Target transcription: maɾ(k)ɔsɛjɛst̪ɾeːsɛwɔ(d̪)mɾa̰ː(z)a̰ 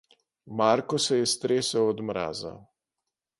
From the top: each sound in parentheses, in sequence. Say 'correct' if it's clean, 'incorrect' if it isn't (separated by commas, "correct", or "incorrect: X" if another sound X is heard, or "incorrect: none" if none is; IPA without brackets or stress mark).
correct, correct, correct